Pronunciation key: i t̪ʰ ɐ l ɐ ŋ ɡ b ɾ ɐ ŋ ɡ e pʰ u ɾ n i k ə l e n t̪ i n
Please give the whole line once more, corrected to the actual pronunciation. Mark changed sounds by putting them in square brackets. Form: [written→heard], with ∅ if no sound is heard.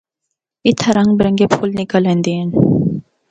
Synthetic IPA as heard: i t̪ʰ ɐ [l→ɾ] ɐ ŋ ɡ b ɾ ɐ ŋ ɡ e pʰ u [ɾ→l] n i k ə l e n [t̪→d̪] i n